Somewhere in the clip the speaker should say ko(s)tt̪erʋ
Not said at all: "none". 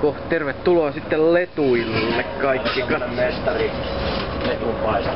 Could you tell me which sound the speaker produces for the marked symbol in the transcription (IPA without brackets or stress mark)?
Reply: h